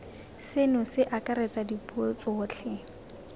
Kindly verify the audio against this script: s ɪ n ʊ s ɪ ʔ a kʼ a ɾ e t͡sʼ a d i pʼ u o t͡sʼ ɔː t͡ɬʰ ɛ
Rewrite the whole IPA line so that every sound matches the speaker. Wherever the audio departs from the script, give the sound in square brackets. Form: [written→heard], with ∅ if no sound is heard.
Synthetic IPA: s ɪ n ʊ s ɪ ʔ a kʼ a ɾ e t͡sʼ a d i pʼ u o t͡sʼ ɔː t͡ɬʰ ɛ